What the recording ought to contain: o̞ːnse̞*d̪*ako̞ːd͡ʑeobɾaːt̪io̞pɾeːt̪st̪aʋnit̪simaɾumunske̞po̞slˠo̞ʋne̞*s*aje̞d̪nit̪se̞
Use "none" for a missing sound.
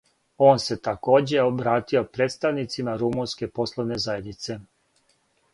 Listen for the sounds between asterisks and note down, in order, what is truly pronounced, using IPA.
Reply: t̪, z

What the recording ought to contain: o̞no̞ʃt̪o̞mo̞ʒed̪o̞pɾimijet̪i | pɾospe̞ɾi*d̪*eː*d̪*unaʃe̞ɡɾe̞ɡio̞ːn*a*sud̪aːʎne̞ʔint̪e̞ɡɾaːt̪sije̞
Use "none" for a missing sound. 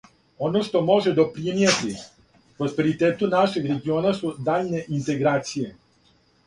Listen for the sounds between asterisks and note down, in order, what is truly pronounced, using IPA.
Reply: t̪, t̪, a

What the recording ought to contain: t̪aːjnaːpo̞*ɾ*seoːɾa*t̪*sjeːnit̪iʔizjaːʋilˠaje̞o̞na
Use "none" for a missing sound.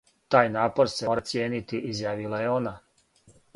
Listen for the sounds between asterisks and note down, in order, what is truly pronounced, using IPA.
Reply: ɾ, t̪

